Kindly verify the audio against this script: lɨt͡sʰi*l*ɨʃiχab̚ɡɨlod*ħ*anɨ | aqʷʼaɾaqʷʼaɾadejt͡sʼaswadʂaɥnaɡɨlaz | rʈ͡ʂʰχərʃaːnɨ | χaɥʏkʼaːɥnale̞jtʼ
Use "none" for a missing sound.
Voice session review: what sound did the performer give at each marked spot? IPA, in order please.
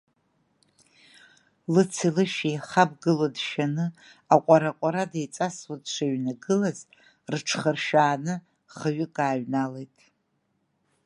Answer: l, ʃ

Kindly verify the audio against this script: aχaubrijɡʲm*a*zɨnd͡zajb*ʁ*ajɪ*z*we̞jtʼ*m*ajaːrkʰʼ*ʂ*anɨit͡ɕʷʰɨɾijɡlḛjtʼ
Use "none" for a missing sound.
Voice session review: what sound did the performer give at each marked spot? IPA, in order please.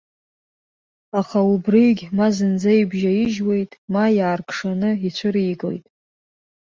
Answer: a, ʒ, ʒ, m, ʂ

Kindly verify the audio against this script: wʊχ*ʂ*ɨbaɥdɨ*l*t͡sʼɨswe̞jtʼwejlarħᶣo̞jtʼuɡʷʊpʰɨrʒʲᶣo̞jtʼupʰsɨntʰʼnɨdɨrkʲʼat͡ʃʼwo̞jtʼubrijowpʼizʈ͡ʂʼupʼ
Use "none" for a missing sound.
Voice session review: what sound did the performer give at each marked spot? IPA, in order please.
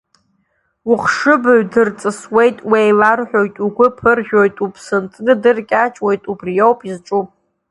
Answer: ʂ, r

